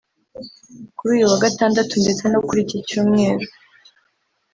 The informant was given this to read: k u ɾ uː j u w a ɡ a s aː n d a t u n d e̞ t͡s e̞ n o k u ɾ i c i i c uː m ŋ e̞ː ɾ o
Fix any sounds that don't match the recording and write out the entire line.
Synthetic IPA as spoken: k u ɾ uː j u w a ɡ a t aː n d a t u n d e̞ t͡s e̞ n o k u ɾ i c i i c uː m ŋ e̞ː ɾ o